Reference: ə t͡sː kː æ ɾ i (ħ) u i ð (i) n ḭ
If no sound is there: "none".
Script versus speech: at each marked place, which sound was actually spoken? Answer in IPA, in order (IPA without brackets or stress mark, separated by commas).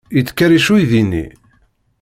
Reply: ʃ, i